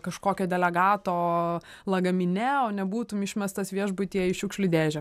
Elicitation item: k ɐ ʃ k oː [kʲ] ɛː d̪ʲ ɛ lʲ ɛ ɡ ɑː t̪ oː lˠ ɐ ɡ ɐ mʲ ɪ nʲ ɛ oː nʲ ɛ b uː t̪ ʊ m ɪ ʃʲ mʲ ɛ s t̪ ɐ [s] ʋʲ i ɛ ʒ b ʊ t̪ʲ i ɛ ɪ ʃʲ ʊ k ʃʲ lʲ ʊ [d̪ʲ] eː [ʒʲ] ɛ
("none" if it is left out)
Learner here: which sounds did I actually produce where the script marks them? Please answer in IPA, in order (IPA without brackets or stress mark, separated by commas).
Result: kʲ, s, d̪ʲ, ʒʲ